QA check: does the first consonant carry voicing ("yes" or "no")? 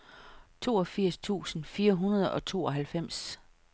no